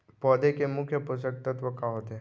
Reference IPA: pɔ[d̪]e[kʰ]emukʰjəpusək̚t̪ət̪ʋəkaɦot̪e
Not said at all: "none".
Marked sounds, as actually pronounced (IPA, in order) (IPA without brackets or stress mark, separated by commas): d̪, k